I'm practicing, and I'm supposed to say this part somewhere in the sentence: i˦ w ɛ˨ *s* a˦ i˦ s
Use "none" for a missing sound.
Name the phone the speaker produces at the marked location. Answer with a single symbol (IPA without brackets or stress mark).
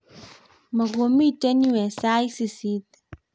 s